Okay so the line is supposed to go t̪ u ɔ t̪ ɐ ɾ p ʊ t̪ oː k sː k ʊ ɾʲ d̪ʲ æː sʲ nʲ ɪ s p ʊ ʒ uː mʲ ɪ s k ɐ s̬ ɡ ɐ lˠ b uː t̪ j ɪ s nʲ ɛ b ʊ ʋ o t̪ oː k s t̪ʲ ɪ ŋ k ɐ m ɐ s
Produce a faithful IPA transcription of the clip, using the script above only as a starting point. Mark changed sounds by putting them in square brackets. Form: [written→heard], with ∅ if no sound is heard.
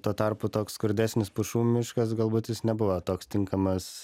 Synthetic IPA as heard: t̪ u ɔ t̪ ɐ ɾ p ʊ t̪ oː k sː k ʊ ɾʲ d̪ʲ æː sʲ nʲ ɪ s p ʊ [ʒ→ʃ] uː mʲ ɪ [s→ʃ] k ɐ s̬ ɡ ɐ lˠ b uː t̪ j ɪ s nʲ ɛ b ʊ ʋ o t̪ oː k s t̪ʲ ɪ ŋ k ɐ m ɐ s